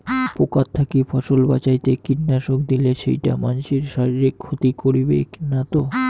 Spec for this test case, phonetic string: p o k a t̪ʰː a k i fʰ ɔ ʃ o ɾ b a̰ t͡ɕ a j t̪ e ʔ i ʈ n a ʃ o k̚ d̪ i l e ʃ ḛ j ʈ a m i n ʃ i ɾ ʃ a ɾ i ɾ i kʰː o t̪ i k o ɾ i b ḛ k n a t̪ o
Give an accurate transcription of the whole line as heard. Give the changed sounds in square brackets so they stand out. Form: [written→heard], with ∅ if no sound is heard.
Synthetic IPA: p o k a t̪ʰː a k i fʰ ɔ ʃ o [ɾ→l] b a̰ t͡ɕ a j t̪ e [ʔ→k] i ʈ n a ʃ o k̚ d̪ i l e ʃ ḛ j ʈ a m [i→a] n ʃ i ɾ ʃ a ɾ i ɾ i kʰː o t̪ i k o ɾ i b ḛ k n a t̪ o